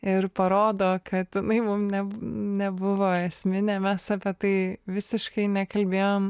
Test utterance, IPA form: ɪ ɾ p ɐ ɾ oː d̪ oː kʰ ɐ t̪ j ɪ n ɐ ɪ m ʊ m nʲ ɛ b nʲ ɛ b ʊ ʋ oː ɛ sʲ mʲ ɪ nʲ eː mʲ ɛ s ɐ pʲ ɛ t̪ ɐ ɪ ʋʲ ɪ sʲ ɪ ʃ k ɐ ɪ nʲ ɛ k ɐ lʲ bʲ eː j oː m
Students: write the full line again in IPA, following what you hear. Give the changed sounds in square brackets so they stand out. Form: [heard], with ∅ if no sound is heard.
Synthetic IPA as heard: ɪ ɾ p ɐ ɾ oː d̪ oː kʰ ɐ t̪ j ɪ n ɐ ɪ m ʊ m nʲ ɛ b nʲ ɛ b ʊ ʋ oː ɛ sʲ mʲ ɪ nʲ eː mʲ ɛ s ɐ pʲ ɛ t̪ ɐ ɪ ʋʲ ɪ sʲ ɪ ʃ k ɐ ɪ nʲ ɛ k ɐ lʲ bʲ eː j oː m

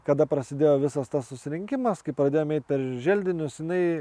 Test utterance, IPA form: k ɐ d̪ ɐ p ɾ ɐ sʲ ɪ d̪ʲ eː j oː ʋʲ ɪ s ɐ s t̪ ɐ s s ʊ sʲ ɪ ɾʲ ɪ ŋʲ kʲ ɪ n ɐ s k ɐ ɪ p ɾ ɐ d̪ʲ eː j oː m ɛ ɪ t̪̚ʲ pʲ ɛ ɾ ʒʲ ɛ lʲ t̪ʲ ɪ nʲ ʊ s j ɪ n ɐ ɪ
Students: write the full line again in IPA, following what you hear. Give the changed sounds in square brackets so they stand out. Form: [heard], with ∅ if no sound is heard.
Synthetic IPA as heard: k ɐ d̪ ɐ p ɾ ɐ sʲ ɪ d̪ʲ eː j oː ʋʲ ɪ s ɐ s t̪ ɐ s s ʊ sʲ ɪ ɾʲ ɪ ŋʲ kʲ ɪ [m] ɐ s k ɐ ɪ p ɾ ɐ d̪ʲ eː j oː m ɛ ɪ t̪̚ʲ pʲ ɛ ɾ ʒʲ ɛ lʲ [d̪ʲ] ɪ nʲ ʊ s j ɪ n ɐ ɪ

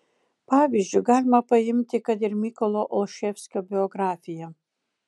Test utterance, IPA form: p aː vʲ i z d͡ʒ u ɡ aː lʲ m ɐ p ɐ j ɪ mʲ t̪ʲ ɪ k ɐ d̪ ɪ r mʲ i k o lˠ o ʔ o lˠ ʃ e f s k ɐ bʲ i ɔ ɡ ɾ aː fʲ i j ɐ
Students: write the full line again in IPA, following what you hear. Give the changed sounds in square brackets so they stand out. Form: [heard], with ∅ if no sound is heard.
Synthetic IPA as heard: p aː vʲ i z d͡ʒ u ɡ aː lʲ m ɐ p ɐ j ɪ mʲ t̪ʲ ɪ k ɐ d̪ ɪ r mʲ i k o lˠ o ʔ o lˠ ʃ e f s k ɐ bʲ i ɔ ɡ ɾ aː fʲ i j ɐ

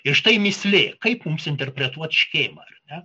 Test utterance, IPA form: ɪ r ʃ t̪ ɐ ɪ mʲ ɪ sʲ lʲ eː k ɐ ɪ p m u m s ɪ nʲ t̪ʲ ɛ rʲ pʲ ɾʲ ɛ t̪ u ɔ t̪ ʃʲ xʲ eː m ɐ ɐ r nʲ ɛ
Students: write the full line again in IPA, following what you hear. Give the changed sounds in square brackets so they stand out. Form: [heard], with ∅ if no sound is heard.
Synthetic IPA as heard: ɪ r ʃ t̪ ɐ ɪ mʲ ɪ sʲ lʲ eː k ɐ ɪ p m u m s ɪ nʲ t̪ʲ ɛ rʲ pʲ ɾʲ ɛ t̪ u ɔ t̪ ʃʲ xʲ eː m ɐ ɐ r nʲ ɛ

